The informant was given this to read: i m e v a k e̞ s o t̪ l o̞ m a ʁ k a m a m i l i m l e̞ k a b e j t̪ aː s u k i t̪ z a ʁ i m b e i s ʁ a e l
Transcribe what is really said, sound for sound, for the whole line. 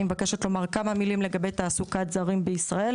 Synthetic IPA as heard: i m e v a k e̞ ʃ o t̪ l o̞ m a ʁ k a m a m i l i m l e̞ ɡ a b e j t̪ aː s u k a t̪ z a ʁ i m b e i s ʁ a e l